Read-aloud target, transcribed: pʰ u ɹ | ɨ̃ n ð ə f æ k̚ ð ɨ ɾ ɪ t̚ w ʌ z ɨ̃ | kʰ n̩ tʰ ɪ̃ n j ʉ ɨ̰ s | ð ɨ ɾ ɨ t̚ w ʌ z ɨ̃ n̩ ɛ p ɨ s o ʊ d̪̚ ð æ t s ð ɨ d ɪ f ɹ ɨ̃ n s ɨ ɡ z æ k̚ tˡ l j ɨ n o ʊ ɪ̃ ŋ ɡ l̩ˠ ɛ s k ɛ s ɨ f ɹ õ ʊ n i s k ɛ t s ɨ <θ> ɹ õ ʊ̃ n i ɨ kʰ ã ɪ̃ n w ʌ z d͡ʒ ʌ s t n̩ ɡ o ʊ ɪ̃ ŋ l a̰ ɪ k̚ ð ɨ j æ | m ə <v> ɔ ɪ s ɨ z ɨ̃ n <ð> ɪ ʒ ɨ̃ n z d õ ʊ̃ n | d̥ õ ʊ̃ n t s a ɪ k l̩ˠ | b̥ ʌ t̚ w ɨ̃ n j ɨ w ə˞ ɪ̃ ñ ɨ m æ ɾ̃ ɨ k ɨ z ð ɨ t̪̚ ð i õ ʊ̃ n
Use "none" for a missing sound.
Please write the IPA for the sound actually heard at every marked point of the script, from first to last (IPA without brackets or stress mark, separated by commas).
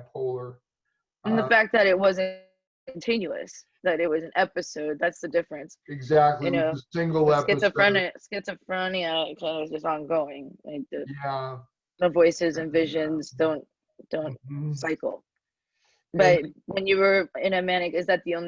f, v, v